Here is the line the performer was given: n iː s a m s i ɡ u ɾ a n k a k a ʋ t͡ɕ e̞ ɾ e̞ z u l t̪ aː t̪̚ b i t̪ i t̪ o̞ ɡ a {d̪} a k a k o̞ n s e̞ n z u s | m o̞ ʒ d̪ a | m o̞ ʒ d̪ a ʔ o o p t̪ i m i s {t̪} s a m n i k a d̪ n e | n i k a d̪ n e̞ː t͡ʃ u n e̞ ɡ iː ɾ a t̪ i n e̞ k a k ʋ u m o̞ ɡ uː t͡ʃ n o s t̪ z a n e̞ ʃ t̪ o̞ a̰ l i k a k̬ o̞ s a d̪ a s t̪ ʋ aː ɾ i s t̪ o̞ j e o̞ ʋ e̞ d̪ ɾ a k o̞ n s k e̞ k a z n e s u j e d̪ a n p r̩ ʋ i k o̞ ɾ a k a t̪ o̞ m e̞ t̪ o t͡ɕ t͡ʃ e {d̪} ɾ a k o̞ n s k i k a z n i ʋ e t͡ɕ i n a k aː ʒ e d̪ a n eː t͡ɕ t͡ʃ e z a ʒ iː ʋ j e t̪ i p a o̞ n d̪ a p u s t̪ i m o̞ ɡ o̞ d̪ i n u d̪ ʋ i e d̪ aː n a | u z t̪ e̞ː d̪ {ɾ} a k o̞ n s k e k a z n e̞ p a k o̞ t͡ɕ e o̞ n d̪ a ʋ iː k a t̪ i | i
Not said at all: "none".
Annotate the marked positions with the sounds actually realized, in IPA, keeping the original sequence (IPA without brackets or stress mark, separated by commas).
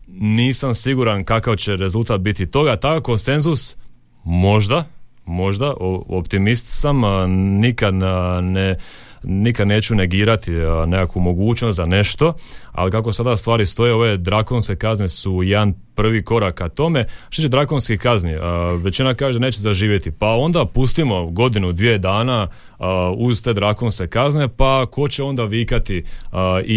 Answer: t̪, t̪, d̪, ɾ